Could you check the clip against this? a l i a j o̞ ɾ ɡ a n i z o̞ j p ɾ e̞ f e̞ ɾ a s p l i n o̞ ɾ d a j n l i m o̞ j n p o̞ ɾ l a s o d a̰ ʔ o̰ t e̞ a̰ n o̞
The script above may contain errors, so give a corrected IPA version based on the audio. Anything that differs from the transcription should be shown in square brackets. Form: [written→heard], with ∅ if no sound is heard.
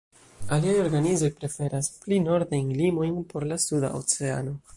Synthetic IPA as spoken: a l i a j o̞ ɾ ɡ a n i z o̞ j p ɾ e̞ f e̞ ɾ a s p l i n o̞ ɾ d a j n l i m o̞ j n p o̞ ɾ l a s [o→u] d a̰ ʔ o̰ [t→t͡s] e̞ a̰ n o̞

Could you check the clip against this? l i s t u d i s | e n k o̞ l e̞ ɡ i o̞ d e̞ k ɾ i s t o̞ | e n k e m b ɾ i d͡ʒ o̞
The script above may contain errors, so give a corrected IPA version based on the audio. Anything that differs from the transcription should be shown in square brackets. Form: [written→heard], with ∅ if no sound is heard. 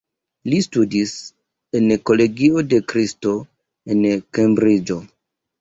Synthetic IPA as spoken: l i s t u d i s | e n k o̞ l e̞ ɡ i o̞ d e̞ k ɾ i s t o̞ | e n k e m b ɾ i d͡ʒ o̞

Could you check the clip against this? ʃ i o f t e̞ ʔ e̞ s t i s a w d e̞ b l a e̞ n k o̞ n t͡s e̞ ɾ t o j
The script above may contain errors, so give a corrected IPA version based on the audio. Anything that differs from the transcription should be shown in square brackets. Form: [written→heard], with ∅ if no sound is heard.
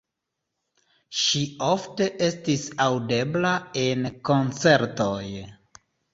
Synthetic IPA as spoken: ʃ i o f t e̞ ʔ e̞ s t i s a w d e̞ b l a e̞ n k o̞ n t͡s e̞ ɾ t o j

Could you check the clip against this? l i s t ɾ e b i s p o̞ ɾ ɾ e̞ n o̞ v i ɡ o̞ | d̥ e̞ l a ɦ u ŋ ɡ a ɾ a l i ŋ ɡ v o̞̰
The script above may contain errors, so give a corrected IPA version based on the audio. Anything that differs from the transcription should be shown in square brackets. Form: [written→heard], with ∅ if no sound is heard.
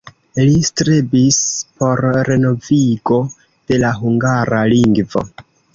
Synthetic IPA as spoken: l i s t ɾ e b i s p o̞ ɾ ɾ e̞ n o̞ v i ɡ o̞ | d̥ e̞ l a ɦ u ŋ ɡ a ɾ a l i ŋ ɡ v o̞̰

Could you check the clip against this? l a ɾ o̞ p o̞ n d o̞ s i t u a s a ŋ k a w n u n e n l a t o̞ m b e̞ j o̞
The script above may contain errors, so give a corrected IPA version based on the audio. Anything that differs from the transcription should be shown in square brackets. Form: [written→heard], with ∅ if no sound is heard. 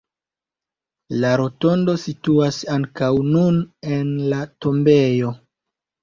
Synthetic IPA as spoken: l a ɾ o̞ [p→t] o̞ n d o̞ s i t u a s a ŋ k a w n u n e n l a t o̞ m b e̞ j o̞

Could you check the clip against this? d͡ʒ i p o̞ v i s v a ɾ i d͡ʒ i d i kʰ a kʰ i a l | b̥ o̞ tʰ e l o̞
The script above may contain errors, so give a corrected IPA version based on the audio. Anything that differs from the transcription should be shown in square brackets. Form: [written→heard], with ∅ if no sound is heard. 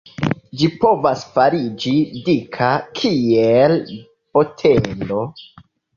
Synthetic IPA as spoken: d͡ʒ i p o̞ v [i→a] s [v→f] a ɾ i d͡ʒ i d i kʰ a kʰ i [a→e] l | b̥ o̞ tʰ e l o̞

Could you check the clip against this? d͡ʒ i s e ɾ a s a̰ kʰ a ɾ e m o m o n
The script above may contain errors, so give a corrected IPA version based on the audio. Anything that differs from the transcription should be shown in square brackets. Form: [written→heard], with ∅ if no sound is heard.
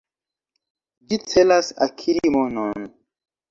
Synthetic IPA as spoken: d͡ʒ i [s→t͡s] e [ɾ→l] a s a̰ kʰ [a→i] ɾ [e→i] m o [m→n] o n

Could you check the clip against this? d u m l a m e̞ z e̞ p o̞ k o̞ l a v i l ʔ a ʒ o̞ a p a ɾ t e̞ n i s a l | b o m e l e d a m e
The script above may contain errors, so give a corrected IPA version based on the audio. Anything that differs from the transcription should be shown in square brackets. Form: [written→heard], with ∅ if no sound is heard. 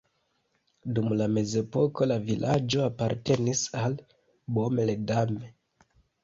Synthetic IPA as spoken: d u m l a m e̞ z e̞ p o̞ k o̞ l a v i l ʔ a [ʒ→d͡ʒ] o̞ a p a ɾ t e̞ n i s a l | b o m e l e d a m e

